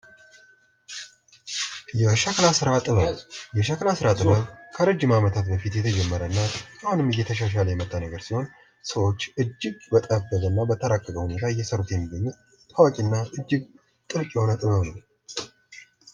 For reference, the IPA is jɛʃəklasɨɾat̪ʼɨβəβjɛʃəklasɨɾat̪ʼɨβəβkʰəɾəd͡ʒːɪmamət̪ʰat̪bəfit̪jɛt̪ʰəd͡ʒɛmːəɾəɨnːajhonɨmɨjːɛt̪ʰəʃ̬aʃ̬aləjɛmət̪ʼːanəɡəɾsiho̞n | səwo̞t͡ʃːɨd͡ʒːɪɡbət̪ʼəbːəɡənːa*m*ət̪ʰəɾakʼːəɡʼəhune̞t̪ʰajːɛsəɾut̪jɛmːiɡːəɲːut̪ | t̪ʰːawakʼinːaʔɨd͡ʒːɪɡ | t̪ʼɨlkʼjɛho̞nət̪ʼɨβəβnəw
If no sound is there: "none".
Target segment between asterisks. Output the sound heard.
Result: b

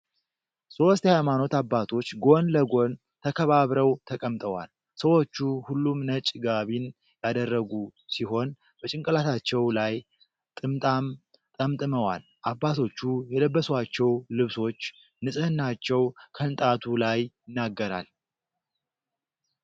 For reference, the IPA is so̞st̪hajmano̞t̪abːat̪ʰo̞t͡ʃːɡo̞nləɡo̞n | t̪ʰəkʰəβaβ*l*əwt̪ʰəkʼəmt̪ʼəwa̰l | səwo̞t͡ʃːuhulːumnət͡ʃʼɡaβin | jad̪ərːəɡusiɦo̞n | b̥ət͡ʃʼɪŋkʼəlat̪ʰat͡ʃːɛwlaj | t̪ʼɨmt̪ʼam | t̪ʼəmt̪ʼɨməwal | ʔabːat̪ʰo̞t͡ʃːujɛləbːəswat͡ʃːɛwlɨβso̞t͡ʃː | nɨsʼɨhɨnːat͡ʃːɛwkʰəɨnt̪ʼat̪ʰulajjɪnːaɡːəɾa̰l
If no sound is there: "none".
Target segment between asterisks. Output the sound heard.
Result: ɾ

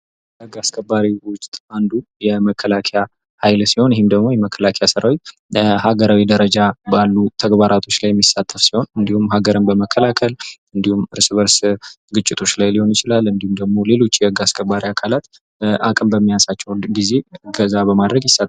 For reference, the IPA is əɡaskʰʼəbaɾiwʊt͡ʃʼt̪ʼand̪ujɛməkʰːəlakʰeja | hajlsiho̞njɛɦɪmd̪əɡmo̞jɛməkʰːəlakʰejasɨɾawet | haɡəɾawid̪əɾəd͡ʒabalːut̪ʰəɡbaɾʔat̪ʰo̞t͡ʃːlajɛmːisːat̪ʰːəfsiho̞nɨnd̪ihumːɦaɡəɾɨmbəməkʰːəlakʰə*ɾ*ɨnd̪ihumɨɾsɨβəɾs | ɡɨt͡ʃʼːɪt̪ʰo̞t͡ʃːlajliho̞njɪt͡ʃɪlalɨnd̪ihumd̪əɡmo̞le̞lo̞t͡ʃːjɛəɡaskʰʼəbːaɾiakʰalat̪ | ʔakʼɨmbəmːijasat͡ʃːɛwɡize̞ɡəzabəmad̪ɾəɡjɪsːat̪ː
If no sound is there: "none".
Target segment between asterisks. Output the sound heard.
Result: l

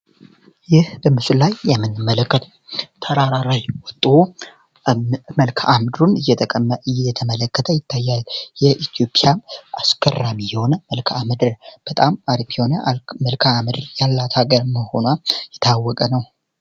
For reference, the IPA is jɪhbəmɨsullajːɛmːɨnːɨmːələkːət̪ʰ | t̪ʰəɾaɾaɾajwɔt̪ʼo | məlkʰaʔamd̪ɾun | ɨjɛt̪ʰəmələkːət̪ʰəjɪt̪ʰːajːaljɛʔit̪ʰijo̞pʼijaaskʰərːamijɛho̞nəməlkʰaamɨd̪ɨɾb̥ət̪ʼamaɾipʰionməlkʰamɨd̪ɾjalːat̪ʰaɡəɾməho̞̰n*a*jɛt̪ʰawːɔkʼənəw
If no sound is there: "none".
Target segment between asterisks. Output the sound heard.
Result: a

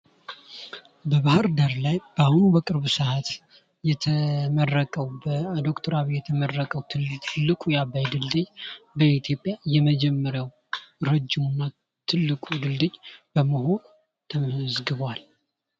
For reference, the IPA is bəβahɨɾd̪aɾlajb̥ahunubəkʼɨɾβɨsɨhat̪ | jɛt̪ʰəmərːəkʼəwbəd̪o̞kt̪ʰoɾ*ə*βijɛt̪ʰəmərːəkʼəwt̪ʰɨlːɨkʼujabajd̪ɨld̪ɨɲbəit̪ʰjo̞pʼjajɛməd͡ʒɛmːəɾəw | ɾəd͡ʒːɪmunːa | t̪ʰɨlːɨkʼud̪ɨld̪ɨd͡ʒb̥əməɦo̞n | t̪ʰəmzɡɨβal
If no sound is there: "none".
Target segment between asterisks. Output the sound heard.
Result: a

